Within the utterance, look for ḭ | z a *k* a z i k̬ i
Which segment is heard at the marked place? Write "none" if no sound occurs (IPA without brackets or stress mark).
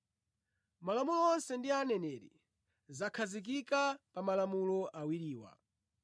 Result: kʰ